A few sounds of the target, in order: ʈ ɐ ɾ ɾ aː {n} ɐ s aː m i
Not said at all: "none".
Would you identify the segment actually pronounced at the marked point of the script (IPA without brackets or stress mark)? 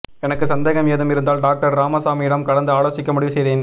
m